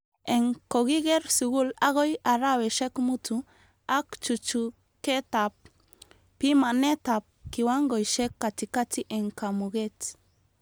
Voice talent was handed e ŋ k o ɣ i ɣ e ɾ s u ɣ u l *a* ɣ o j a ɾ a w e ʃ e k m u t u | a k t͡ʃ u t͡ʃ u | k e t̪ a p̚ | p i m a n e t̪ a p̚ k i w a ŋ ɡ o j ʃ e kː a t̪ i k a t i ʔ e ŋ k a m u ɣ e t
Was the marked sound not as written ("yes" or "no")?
no